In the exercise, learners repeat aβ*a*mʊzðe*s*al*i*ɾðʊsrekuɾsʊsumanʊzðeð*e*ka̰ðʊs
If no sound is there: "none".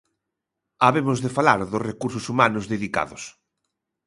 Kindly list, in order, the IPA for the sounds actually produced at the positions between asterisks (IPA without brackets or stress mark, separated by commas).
e, f, a, i